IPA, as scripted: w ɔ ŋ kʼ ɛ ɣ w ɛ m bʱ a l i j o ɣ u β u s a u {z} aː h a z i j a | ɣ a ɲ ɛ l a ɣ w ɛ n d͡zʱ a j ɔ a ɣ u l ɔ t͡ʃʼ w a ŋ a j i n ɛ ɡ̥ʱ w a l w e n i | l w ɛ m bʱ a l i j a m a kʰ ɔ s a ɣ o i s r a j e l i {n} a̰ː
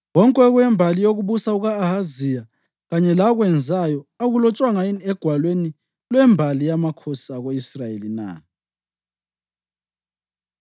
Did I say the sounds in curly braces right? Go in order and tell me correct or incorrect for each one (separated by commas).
incorrect, correct